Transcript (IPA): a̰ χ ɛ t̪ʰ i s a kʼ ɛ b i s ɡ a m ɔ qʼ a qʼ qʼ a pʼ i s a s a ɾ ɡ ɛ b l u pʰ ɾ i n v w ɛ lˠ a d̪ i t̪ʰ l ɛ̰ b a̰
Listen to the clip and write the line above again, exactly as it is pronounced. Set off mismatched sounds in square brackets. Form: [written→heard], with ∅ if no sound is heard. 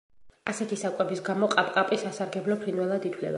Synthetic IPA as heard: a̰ [χ→s] ɛ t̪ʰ i s a kʼ ɛ b i s ɡ a m ɔ qʼ a [qʼ→pʼ] qʼ a pʼ i s a s a ɾ ɡ ɛ b l [u→ɔ] pʰ ɾ i n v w ɛ lˠ a d̪ i t̪ʰ l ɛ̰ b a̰